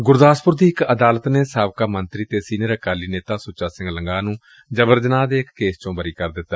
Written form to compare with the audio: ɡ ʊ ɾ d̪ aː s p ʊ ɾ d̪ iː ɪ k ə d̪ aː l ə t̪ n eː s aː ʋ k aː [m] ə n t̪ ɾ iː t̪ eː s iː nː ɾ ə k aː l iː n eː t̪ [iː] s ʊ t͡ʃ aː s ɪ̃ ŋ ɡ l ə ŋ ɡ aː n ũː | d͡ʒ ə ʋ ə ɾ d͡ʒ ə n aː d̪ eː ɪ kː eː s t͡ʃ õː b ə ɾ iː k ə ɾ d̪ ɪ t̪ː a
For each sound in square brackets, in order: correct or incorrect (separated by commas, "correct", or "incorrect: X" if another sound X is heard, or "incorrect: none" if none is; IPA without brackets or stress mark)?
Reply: correct, incorrect: aː